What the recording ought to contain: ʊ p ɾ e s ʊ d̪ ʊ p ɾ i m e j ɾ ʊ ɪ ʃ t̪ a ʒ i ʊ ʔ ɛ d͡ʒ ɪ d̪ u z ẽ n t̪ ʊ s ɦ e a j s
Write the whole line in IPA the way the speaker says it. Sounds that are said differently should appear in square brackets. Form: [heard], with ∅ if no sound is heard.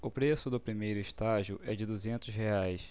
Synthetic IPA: ʊ p ɾ e s ʊ d̪ ʊ p ɾ i m e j ɾ ʊ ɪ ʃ t̪ a ʒ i ʊ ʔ ɛ d͡ʒ ɪ d̪ u z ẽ n t̪ ʊ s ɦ e a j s

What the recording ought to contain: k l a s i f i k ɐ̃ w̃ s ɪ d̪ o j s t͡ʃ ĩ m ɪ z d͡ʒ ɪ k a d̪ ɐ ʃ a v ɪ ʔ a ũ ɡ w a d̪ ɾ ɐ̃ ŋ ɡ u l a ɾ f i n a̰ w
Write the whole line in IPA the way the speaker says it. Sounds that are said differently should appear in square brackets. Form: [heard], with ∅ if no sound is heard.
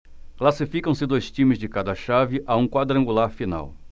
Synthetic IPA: k l a s i f i k ɐ̃ w̃ s ɪ d̪ o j s t͡ʃ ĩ m ɪ z d͡ʒ ɪ k a d̪ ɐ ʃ a v ɪ ʔ a ũ [k] w a d̪ ɾ ɐ̃ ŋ ɡ u l a ɾ f i n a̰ w

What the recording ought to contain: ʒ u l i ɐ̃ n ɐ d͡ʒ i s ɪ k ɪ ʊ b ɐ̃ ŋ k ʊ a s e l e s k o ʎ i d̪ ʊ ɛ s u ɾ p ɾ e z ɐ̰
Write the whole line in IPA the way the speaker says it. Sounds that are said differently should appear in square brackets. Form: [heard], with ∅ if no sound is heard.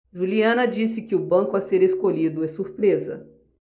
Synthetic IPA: ʒ u l i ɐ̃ n ɐ d͡ʒ i s ɪ k ɪ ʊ b ɐ̃ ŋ k ʊ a s e [ɾ] e s k o ʎ i d̪ ʊ ɛ s u ɾ p ɾ e z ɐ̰

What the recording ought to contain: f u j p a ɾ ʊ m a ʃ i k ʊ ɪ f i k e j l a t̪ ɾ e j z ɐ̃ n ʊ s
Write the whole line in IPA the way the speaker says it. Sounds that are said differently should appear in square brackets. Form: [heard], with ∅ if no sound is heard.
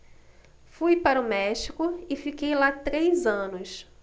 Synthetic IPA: f u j p a ɾ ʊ m [ɛ] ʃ i k ʊ ɪ f i k e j l a t̪ ɾ e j z ɐ̃ n ʊ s

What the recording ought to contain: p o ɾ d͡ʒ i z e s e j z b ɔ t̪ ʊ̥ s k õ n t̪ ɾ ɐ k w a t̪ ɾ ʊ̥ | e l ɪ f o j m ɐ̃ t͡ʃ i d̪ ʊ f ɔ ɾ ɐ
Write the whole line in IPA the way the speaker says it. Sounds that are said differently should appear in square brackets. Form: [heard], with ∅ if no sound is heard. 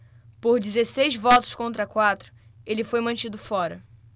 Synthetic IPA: p o ɾ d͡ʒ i z e s e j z [v] ɔ t̪ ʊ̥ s k õ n t̪ ɾ ɐ k w a t̪ ɾ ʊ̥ | e l ɪ f o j m ɐ̃ t͡ʃ i d̪ ʊ f ɔ ɾ ɐ

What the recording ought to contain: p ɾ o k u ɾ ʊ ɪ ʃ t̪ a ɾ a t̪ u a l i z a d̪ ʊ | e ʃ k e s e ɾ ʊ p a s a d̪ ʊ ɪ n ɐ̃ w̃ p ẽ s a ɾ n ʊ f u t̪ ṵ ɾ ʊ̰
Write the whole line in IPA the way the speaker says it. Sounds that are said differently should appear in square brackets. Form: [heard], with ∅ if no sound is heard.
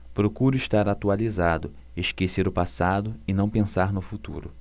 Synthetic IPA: p ɾ o k u ɾ ʊ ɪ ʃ t̪ a ɾ a t̪ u a l i z a d̪ ʊ | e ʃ k e s e ɾ ʊ p a s a d̪ ʊ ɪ n ɐ̃ w̃ p ẽ s a ɾ n ʊ f u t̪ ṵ ɾ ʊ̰

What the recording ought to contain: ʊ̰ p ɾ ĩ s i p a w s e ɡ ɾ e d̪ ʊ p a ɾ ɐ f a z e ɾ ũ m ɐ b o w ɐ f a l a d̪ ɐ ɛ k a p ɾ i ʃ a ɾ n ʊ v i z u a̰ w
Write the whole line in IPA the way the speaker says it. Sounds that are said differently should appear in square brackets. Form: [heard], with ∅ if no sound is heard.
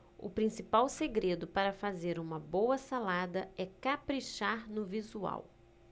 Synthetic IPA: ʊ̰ p ɾ ĩ s i p a w s e ɡ ɾ e d̪ ʊ p a ɾ ɐ f a z e ɾ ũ m ɐ b o w ɐ [s] a l a d̪ ɐ ɛ k a p ɾ i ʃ a ɾ n ʊ v i z u a̰ w

